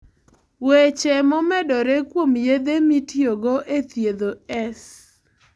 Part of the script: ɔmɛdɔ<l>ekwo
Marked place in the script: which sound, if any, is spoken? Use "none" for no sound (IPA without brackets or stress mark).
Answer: ɾ